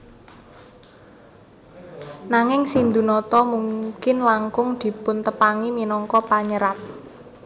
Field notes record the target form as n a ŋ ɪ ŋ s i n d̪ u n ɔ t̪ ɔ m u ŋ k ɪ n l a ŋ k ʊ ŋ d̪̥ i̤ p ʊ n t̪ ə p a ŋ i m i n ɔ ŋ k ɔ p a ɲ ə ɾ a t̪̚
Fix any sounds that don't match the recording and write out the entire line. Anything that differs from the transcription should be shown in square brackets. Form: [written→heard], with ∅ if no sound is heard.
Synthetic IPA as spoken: n a ŋ ɪ ŋ s i n d̪ u n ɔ t̪ ɔ m u ŋ k ɪ n l a ŋ k ʊ ŋ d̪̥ i̤ p ʊ n t̪ ə p a ŋ i m i n ɔ ŋ k ɔ p a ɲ ə ɾ a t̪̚